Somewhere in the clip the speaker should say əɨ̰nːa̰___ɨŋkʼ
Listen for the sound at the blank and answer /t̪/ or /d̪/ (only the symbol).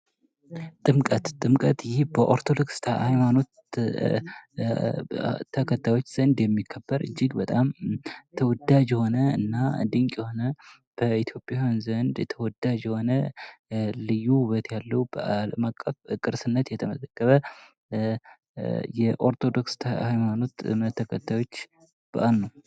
d̪